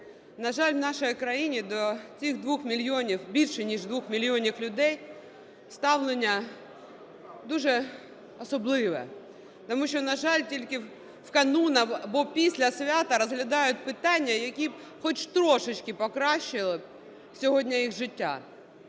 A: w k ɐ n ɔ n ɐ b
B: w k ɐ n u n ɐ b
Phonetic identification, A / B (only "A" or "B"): B